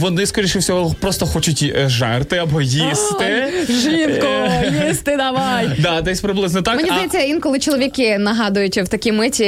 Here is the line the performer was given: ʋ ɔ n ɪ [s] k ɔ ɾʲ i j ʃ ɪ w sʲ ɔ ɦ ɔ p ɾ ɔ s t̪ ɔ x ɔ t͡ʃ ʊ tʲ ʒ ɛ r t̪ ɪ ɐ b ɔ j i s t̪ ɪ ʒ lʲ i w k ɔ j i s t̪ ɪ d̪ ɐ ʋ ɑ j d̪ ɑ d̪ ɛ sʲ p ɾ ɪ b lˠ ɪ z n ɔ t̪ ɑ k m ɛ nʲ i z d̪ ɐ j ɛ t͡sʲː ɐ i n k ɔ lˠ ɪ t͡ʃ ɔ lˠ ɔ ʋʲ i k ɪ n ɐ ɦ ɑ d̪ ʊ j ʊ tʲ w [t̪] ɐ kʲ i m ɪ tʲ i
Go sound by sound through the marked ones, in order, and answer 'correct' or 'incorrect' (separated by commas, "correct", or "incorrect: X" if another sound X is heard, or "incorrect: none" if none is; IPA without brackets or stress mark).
correct, correct